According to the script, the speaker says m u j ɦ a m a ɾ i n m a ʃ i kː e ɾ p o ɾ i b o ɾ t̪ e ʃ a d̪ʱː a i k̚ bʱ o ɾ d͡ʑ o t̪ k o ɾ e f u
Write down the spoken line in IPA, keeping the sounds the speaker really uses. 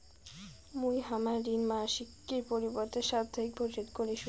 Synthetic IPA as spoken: m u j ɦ a m a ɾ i n m a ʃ i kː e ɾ p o ɾ i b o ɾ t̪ e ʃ a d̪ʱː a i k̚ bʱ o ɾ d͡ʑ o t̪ k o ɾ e ʃ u